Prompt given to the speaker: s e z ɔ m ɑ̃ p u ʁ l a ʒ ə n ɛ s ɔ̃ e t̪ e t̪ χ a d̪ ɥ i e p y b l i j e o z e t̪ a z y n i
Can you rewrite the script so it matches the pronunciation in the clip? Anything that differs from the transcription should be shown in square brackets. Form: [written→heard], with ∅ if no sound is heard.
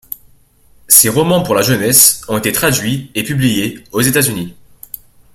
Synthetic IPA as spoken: s e [z→ʁ] ɔ m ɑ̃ p u ʁ l a ʒ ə n ɛ s ɔ̃ e t̪ e t̪ χ a d̪ ɥ i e p y b l i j e o z e t̪ a z y n i